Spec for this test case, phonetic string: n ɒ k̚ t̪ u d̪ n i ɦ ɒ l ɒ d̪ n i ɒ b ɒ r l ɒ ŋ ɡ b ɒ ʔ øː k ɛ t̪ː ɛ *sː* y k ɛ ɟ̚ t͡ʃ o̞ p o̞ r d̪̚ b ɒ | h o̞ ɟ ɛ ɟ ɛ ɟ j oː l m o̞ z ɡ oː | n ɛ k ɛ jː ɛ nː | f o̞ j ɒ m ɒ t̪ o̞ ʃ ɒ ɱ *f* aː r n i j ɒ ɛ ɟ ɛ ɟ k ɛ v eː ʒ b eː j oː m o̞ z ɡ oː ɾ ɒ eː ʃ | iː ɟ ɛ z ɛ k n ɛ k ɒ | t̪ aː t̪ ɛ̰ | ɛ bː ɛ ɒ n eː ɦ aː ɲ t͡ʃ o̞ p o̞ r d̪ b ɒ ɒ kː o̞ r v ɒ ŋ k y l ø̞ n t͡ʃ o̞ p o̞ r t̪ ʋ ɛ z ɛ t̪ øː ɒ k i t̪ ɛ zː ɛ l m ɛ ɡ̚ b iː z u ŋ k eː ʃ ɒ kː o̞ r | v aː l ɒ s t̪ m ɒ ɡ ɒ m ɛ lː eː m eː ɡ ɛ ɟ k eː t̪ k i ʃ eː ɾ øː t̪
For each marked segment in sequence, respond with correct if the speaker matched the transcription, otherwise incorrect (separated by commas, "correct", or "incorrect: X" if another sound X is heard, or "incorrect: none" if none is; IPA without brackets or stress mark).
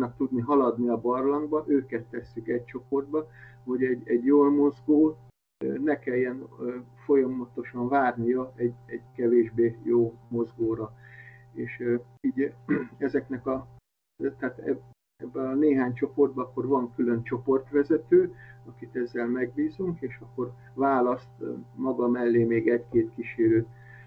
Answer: correct, incorrect: v